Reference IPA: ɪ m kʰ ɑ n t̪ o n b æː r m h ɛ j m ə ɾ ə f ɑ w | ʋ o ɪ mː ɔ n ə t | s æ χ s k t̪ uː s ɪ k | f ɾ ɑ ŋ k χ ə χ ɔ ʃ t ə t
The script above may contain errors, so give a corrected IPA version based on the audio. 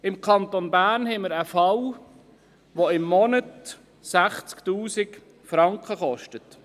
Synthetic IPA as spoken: ɪ m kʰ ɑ n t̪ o n b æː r n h ɛ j m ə ɾ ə f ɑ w | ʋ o ɪ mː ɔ n ə t | s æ χ t͡s k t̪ uː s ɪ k | f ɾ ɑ ŋ k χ ə χ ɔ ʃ t ə t